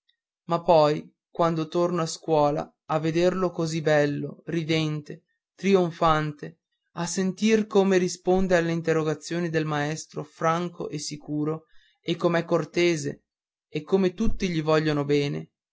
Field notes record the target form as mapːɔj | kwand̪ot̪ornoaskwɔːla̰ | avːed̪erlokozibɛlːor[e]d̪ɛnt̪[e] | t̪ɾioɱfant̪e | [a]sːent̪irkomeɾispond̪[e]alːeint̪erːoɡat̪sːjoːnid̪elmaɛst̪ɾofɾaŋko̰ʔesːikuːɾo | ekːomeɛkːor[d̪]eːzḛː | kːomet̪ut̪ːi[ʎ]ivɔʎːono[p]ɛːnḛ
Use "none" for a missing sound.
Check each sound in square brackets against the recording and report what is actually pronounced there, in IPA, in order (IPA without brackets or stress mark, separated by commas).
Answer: i, e, a, e, t̪, ʎ, b